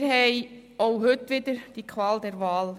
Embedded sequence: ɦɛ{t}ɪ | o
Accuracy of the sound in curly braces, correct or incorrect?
incorrect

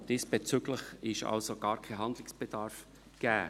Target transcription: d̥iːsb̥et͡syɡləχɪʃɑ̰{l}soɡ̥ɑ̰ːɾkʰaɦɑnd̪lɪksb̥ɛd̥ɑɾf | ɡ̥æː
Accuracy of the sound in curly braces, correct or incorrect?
correct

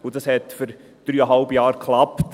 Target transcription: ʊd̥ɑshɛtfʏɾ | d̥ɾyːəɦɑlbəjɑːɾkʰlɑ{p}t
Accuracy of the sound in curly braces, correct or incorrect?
correct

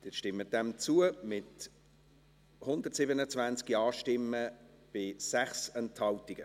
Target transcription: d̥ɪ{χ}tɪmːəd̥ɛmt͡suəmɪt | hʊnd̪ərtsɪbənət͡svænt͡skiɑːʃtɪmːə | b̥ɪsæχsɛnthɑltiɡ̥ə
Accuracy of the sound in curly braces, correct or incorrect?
incorrect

